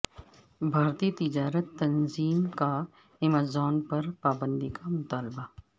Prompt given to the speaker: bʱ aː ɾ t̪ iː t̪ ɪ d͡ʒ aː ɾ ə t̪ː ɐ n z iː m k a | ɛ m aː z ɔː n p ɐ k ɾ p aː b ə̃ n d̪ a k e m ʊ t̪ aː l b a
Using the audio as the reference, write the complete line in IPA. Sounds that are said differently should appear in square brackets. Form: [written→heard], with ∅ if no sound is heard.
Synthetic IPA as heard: bʱ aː ɾ t̪ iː t̪ ɪ d͡ʒ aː ɾ ə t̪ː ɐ n z iː m k a | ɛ m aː z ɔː n p ɐ [k→∅] ɾ p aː b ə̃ n d̪ [a→i] k [e→a] m ʊ t̪ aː l b a